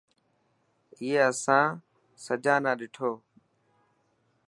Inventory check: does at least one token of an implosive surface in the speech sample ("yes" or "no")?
yes